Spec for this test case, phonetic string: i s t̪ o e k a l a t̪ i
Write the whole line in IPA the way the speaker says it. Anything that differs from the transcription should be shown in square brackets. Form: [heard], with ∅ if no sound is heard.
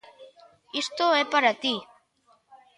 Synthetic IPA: i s t̪ o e [p] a [ɾ] a t̪ i